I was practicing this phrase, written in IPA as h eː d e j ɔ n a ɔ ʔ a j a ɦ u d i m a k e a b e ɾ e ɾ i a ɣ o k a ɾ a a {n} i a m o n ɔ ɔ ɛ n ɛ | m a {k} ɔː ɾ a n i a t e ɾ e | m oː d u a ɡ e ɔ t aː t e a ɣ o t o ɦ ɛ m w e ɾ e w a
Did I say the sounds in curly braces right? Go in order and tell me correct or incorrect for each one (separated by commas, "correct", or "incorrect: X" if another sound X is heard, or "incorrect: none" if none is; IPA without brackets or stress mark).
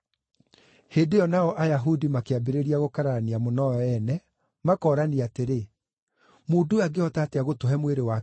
correct, correct